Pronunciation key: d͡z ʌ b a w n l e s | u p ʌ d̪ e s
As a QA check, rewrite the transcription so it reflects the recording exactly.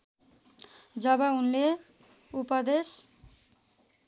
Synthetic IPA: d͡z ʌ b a u n l e | u p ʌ d̪ e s